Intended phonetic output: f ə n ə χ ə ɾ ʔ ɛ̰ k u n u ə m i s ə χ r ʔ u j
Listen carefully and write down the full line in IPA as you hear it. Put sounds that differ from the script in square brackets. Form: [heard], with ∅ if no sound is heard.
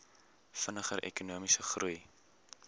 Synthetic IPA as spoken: f ə n ə χ ə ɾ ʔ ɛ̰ k u n u ə m i s ə χ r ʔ u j